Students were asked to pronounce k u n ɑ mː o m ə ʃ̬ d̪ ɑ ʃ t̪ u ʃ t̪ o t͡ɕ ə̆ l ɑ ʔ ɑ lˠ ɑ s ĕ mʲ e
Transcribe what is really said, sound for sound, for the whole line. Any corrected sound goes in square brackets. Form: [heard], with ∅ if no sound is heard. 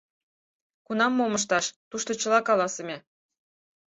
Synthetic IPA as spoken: k u n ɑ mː o m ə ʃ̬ [t̪] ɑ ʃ t̪ u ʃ t̪ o t͡ɕ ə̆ l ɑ [k] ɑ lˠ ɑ s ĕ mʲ e